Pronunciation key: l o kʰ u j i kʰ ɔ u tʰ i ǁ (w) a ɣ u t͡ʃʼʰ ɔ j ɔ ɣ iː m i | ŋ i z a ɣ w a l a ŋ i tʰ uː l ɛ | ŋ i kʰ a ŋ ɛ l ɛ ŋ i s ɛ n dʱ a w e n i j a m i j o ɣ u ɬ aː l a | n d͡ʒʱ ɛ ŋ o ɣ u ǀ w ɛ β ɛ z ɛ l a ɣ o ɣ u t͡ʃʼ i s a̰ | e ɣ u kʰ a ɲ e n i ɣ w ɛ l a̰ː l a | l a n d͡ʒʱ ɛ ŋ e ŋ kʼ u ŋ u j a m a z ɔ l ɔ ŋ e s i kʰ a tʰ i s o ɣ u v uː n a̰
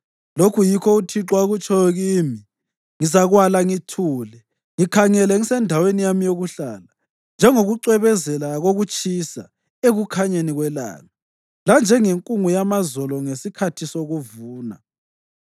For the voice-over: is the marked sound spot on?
yes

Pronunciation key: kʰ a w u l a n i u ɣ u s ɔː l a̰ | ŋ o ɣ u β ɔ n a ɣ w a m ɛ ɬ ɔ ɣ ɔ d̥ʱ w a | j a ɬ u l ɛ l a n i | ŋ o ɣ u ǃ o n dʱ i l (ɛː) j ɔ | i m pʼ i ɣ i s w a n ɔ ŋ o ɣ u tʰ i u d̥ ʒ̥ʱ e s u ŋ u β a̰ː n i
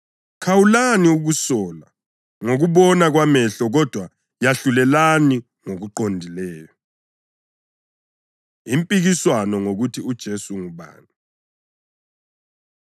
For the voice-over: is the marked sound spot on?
yes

